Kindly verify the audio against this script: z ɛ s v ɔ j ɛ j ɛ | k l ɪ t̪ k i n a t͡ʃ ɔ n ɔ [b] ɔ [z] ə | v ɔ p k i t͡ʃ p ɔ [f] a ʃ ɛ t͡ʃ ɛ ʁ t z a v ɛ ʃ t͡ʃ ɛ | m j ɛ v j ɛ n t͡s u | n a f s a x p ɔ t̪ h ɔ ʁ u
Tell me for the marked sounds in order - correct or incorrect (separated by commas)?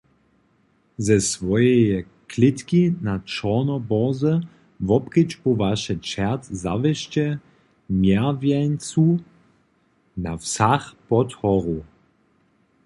correct, correct, incorrect